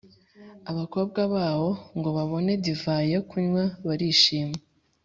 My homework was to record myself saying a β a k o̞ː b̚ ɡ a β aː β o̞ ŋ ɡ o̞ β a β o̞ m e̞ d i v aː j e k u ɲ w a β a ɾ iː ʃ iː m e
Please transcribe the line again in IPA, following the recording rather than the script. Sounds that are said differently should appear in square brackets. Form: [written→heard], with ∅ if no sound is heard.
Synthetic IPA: a β a k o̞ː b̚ ɡ a β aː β o̞ ŋ ɡ o̞ β a β o̞ [m→n] e̞ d i v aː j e k u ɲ w a β a ɾ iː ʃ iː m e

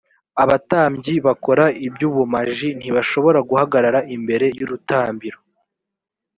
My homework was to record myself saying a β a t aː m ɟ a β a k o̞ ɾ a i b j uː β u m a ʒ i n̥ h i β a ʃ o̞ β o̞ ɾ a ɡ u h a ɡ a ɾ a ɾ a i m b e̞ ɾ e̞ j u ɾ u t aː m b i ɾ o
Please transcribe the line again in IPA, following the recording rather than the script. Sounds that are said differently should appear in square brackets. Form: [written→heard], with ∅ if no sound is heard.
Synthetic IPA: a β a t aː m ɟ [a→i] β a k o̞ ɾ a i b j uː β u m a ʒ i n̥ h i β a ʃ o̞ β o̞ ɾ a ɡ u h a ɡ a ɾ a ɾ a i m b e̞ ɾ e̞ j u ɾ u t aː m b i ɾ o

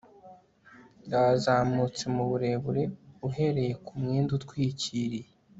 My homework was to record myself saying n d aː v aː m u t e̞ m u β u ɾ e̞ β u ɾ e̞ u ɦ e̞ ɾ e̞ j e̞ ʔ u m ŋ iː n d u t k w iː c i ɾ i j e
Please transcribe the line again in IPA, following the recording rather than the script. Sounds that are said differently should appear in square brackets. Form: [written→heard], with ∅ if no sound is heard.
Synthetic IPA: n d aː [v→z] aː m u [t→t͡s] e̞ m u β u ɾ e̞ β u ɾ e̞ u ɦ e̞ ɾ e̞ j e̞ [ʔ→k] u m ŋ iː n d u t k w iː c i ɾ i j e

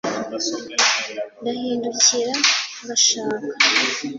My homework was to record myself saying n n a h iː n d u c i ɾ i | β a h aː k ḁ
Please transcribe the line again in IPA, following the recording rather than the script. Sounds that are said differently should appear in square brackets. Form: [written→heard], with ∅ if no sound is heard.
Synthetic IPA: n [n→d] a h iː n d u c i ɾ [i→a] | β a [h→ʃ] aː k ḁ

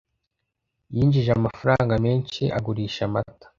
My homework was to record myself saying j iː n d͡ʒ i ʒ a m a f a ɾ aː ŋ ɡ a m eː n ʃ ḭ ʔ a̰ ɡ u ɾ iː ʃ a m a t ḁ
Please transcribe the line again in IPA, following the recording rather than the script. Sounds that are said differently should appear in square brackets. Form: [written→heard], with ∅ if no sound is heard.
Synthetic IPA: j iː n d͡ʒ i ʒ a m a f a ɾ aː ŋ ɡ a m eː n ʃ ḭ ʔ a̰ ɡ u ɾ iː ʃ a m a t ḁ

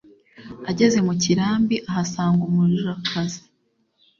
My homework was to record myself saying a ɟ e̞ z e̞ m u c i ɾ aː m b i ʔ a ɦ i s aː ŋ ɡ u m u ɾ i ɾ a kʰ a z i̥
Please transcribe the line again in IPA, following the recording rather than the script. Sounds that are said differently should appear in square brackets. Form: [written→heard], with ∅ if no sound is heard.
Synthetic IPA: a ɟ e̞ z e̞ m u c i ɾ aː m b i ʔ a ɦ [i→a] s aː ŋ ɡ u m u ɾ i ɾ a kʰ a z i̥

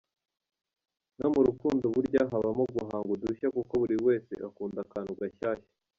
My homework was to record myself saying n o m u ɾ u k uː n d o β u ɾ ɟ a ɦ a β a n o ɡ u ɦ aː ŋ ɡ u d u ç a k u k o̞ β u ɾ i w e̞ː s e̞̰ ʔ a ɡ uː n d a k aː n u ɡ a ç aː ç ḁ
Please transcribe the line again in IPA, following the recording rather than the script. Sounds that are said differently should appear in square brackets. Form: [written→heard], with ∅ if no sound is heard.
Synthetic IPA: n o m u ɾ u k uː n d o β u ɾ ɟ a ɦ a β a [n→m] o ɡ u ɦ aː ŋ ɡ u d u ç a k u k o̞ β u ɾ i w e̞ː s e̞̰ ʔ a [ɡ→k] uː n d a k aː n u ɡ a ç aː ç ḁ

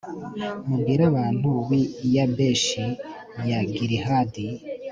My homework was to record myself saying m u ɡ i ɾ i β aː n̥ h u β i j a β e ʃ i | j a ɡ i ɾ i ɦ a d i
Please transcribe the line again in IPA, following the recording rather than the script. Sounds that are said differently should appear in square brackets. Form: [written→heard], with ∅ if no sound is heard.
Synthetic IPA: m u ɡ i ɾ [i→a] β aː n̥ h u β i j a [β→b] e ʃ i | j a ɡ i ɾ i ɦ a d i

